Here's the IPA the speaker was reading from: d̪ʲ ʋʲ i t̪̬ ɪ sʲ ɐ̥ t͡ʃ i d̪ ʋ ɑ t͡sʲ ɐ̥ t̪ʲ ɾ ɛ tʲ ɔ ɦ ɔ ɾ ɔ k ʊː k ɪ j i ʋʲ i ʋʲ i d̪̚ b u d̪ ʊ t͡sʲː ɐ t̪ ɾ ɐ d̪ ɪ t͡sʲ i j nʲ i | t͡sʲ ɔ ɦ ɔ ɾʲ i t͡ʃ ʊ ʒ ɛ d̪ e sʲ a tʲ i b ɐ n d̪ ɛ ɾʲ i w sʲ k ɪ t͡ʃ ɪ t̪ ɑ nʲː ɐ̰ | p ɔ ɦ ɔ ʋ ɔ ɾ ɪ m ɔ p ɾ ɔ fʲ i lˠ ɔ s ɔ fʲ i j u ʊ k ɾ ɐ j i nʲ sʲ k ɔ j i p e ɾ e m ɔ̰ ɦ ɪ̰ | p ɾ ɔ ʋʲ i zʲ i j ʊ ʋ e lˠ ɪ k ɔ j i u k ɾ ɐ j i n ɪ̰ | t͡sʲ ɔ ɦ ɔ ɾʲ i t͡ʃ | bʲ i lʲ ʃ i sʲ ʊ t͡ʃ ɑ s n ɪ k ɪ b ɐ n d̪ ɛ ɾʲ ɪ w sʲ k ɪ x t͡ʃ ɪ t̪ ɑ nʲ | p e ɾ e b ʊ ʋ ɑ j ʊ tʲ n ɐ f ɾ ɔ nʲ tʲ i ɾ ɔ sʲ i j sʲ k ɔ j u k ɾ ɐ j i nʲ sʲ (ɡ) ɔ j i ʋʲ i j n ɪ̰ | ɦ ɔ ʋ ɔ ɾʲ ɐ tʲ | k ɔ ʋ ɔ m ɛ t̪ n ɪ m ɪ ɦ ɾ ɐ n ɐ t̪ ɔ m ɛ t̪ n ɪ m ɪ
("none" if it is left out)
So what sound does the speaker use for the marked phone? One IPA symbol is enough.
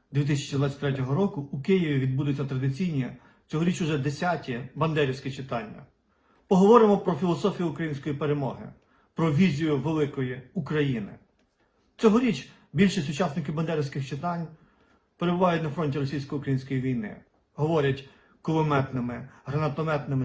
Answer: k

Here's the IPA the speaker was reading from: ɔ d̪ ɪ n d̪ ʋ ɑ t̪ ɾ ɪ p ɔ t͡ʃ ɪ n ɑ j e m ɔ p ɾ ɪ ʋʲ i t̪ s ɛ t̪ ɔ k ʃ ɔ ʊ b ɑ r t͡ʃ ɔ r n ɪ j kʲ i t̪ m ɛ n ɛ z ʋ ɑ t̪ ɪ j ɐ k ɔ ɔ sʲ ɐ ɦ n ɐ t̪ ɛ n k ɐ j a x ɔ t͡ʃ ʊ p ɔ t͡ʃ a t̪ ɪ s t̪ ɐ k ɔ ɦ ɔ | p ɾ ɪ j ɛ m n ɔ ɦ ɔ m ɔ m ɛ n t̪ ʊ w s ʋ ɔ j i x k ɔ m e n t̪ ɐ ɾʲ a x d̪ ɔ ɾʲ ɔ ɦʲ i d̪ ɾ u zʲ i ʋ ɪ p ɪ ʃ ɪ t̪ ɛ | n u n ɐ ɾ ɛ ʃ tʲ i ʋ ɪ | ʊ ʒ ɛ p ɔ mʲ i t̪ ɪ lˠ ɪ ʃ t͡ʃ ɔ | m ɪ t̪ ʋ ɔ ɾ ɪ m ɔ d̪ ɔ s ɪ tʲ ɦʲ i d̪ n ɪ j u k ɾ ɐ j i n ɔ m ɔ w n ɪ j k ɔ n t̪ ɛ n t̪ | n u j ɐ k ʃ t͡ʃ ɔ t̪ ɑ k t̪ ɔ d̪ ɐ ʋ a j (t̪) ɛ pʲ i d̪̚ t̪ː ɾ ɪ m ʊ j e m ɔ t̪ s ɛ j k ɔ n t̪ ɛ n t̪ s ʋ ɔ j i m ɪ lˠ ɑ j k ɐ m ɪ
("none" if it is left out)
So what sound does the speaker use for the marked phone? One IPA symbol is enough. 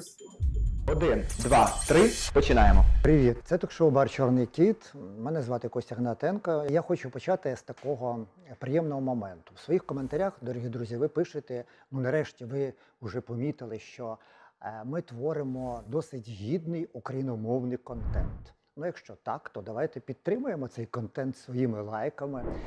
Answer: t̪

